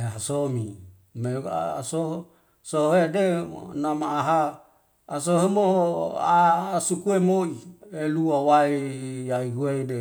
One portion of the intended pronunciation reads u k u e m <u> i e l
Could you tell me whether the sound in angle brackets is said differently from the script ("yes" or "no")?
yes